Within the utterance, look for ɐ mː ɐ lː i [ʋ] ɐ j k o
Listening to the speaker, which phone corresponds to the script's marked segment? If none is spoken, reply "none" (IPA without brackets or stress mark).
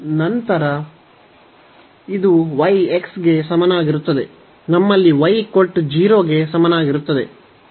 ʋ